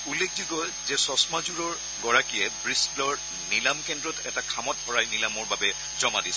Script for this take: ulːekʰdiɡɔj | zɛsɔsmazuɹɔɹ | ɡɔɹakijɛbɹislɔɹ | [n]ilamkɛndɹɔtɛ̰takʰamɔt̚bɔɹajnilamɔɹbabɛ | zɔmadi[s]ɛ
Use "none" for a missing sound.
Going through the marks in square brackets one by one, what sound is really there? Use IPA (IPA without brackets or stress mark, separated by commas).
n, s